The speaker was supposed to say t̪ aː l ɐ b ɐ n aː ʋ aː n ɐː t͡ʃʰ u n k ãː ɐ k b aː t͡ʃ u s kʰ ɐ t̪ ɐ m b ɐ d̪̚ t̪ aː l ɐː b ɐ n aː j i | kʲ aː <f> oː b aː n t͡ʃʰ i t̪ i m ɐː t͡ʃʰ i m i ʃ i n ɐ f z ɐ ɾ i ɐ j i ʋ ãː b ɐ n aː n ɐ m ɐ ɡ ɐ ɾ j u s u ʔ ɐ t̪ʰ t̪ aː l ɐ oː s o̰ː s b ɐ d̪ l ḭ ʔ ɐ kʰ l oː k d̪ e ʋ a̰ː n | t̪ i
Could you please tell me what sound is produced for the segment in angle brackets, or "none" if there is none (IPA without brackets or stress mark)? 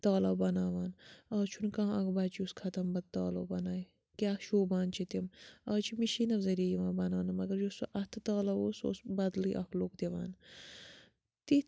ʃ